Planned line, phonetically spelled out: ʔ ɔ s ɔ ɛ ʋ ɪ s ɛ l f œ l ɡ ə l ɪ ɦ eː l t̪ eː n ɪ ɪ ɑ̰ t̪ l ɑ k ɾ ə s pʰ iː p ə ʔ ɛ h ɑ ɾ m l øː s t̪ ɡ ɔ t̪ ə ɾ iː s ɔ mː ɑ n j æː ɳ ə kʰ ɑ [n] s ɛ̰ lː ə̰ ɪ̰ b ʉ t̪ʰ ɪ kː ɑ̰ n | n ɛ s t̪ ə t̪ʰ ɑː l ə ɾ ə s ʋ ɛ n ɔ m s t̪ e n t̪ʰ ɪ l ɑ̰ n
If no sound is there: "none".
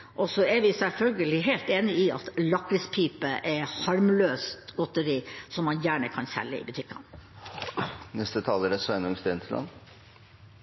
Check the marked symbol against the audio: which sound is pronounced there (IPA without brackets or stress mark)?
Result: n